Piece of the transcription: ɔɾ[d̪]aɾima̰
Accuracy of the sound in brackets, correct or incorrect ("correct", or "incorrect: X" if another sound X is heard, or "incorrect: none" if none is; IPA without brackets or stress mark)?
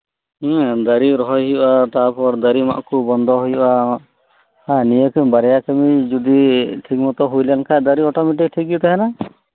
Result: correct